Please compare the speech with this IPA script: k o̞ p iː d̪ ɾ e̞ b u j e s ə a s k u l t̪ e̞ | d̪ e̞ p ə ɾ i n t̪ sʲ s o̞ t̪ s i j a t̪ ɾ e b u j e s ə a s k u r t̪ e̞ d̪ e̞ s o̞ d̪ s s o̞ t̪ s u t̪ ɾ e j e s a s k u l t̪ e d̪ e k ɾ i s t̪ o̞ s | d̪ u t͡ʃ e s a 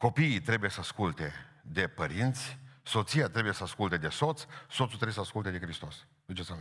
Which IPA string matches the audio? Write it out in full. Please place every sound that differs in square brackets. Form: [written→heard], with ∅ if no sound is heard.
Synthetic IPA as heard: k o̞ p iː [d̪→t̪] ɾ e̞ b u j e s ə a s k u l t̪ e̞ | d̪ e̞ p ə ɾ i n t̪ sʲ s o̞ t̪ s i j a t̪ ɾ e b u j e s ə a s k u [r→l] t̪ e̞ d̪ e̞ s o̞ [d̪→t̪] s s o̞ t̪ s u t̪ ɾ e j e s a s k u l t̪ e d̪ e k ɾ i s t̪ o̞ s | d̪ u t͡ʃ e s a